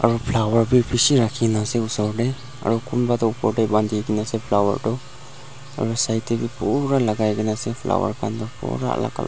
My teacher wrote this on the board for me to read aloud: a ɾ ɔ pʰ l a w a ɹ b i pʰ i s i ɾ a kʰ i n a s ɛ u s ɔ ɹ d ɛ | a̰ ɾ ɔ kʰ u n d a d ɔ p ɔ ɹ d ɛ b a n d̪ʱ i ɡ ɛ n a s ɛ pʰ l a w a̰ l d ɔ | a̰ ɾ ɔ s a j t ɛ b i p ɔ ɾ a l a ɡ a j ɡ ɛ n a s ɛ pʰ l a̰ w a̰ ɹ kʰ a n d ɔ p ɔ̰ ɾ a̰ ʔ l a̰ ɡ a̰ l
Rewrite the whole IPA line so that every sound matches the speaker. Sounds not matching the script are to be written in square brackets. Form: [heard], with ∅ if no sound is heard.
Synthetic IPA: a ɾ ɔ pʰ l a w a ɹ b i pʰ i s i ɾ a kʰ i n a s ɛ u s ɔ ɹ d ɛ | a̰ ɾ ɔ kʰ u n [b] a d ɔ p ɔ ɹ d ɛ b a n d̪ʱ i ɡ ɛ n a s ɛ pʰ l a w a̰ [ɹ] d ɔ | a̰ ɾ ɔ s a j t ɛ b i p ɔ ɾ a l a ɡ a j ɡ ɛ n a s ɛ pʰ l a̰ w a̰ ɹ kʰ a n d ɔ p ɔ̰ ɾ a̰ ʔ l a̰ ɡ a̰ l